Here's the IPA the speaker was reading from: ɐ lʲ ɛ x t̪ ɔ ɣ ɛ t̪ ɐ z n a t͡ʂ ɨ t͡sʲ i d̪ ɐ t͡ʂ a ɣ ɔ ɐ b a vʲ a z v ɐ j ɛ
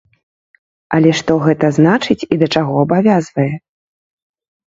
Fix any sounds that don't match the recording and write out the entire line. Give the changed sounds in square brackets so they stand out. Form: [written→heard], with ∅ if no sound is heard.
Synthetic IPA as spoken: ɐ lʲ ɛ [x→ʂ] t̪ ɔ ɣ ɛ t̪ ɐ z n a t͡ʂ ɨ t͡sʲ i d̪ ɐ t͡ʂ a ɣ ɔ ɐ b a vʲ a z v ɐ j ɛ